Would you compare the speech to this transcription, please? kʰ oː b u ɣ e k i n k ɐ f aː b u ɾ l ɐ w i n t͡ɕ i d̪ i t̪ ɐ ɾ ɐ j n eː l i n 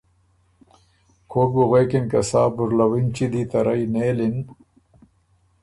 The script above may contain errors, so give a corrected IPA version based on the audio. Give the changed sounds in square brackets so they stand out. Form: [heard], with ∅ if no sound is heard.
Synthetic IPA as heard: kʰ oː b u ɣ e k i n k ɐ [s] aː b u ɾ l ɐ w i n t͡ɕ i d̪ i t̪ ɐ ɾ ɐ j n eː l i n